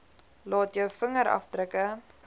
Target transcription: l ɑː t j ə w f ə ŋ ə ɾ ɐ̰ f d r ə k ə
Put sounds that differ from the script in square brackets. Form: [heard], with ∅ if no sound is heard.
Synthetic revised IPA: l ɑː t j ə w f ə ŋ ə ɾ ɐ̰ f d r ə k ə